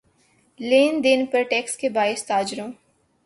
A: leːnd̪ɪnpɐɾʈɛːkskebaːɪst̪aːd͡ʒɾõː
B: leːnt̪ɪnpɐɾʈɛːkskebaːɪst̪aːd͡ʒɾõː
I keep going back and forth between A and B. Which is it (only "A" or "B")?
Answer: A